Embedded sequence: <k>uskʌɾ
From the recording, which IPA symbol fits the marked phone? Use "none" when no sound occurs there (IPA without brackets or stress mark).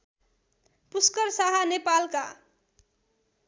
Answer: p